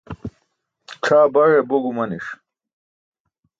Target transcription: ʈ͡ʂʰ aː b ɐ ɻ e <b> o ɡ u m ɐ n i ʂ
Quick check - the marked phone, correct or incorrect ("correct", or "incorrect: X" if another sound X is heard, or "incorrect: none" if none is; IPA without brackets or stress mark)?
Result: correct